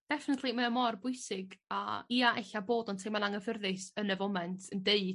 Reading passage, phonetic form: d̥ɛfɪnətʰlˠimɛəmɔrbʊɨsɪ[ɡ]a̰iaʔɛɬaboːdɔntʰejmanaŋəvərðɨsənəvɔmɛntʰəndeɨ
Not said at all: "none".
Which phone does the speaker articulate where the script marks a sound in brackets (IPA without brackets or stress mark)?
ɡ